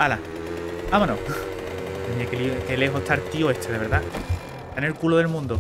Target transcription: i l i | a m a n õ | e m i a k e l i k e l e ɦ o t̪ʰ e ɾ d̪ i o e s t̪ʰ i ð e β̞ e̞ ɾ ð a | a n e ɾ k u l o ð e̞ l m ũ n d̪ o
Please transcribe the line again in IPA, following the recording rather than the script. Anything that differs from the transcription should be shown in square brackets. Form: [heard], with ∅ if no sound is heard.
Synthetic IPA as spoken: [a] l [a] | a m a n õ | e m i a k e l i k e l e ɦ o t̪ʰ [a] ɾ [t̪] i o e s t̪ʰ [e] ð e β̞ e̞ ɾ ð a | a n e [l] k u l o ð e̞ l m ũ n d̪ o